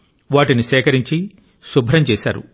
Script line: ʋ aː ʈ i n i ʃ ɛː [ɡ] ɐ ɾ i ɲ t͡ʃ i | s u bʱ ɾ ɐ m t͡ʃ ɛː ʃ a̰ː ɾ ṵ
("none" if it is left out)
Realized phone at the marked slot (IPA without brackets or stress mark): k